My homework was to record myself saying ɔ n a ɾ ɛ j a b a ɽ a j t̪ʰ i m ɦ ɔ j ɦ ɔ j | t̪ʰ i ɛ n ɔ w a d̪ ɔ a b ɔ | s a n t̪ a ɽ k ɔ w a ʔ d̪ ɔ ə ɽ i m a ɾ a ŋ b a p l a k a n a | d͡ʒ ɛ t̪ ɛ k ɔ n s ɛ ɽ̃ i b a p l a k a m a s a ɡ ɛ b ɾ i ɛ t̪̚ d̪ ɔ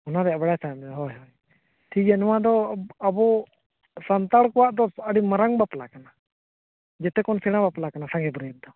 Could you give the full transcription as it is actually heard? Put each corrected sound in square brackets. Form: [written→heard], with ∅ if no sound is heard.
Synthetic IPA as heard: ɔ n a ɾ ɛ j a b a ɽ a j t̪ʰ [i→a] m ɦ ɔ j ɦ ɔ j | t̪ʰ i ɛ n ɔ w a d̪ ɔ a b ɔ | s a n t̪ a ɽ k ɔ w a ʔ d̪ ɔ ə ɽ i m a ɾ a ŋ b a p l a k a n a | d͡ʒ ɛ t̪ ɛ k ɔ n s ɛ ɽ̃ [i→a] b a p l a k a [m→n] a s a ɡ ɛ b ɾ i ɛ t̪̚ d̪ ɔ